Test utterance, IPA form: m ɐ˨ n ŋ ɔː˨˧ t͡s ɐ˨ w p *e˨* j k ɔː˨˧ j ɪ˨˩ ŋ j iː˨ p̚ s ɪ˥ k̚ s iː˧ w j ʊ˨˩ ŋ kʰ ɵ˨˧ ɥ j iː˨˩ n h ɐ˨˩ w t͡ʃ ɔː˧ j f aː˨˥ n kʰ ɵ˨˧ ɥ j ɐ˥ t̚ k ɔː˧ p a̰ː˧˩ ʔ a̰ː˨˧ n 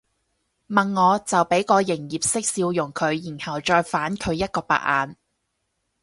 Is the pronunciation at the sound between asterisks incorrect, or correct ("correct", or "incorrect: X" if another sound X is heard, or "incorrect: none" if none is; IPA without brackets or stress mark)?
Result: incorrect: e˨˥